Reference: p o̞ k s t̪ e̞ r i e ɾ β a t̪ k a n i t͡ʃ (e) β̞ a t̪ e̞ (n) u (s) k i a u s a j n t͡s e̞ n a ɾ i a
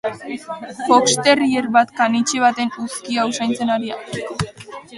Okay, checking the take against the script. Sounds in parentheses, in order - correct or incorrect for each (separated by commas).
correct, correct, correct